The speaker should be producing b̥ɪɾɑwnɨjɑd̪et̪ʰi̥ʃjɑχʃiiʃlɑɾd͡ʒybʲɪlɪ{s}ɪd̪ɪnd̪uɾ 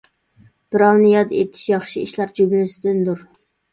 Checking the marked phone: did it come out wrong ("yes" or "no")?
no